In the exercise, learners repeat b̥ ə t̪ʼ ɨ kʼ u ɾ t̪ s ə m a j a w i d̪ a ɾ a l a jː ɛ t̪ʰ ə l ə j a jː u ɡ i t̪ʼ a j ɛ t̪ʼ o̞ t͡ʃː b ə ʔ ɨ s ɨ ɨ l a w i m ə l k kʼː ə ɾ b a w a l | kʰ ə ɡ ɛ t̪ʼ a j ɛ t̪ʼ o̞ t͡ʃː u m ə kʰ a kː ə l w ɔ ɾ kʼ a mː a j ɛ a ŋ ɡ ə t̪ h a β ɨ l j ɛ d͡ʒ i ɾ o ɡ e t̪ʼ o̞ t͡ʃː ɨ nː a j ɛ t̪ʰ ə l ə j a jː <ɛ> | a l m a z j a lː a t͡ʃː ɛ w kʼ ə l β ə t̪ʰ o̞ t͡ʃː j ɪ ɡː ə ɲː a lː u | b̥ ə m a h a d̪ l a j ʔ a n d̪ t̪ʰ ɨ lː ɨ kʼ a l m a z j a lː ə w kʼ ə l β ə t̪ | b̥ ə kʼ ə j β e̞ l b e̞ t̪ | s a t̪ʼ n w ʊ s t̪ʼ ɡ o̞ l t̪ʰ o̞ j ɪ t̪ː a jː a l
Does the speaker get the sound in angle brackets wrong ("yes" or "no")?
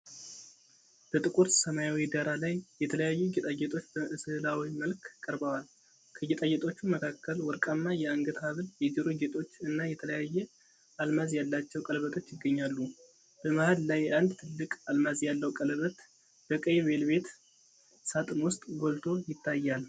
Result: no